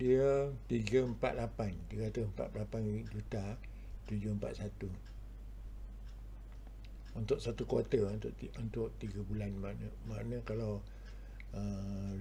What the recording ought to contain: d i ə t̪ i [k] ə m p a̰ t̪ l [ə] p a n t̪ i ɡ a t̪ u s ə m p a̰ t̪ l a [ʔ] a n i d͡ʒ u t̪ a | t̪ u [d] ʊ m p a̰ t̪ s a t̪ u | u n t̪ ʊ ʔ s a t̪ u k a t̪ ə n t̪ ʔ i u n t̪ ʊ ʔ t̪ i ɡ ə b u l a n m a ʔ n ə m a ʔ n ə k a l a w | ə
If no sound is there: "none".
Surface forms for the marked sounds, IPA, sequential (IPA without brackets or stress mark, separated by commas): ɡ, a, p, d͡ʒ